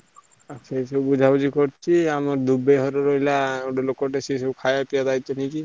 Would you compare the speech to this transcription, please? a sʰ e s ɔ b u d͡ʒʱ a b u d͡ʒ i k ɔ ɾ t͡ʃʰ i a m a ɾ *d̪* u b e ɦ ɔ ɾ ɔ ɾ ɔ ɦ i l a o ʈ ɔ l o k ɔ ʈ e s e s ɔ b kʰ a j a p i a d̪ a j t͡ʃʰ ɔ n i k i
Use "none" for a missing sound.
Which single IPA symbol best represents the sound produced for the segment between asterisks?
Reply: d̪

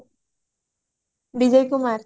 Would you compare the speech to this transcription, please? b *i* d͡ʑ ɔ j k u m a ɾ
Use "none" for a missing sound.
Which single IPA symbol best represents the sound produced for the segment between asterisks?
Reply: i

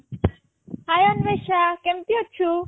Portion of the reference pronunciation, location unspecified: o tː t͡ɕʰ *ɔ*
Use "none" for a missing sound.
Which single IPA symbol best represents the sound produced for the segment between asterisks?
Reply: u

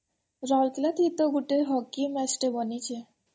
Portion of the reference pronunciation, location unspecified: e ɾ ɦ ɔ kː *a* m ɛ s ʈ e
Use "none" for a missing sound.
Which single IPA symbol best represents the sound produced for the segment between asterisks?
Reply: i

